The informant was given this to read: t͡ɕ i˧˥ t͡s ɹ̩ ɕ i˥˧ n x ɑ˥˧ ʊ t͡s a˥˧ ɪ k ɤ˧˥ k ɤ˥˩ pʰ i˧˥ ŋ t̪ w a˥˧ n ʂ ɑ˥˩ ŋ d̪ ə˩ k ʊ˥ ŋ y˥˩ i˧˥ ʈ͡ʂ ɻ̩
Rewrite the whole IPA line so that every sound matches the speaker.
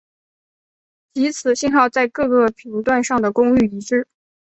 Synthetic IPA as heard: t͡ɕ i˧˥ t͡sʰ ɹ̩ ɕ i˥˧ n x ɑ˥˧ ʊ t͡s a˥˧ ɪ k ɤ˥˧ k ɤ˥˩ pʰ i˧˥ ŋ t̪ w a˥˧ n ʂ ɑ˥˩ ŋ d̪ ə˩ k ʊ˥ ŋ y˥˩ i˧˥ ʈ͡ʂ ɻ̩